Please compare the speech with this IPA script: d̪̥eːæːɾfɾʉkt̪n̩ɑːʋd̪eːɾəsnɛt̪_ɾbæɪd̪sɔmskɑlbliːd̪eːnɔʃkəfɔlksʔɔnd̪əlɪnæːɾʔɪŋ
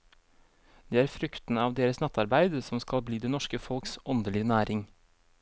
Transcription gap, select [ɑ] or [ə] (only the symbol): ɑ